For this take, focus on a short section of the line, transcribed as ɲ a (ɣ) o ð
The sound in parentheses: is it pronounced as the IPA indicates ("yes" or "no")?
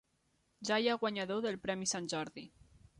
no